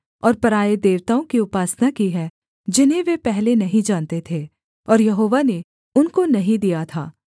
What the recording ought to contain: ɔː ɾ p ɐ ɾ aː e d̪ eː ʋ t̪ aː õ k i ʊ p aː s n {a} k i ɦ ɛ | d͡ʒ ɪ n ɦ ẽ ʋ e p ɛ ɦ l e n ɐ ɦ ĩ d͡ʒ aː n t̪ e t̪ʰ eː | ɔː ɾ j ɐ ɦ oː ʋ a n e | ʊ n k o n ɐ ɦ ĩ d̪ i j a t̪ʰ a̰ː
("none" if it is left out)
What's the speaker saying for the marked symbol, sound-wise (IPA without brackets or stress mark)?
a